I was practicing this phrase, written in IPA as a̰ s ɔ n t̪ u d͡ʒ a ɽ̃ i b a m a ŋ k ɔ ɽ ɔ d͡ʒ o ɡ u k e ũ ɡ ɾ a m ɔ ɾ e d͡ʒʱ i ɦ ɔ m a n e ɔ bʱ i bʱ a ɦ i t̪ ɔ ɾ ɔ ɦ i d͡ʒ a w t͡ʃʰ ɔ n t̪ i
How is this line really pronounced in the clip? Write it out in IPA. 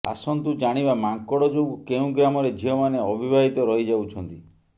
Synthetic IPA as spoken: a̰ s ɔ n t̪ u d͡ʒ a ɽ̃ i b a m a ŋ k ɔ ɽ ɔ d͡ʒ o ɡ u k e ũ ɡ ɾ a m ɔ ɾ e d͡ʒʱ i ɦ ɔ m a n e ɔ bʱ i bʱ a ɦ i t̪ ɔ ɾ ɔ ɦ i d͡ʒ a w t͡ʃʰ ɔ n t̪ i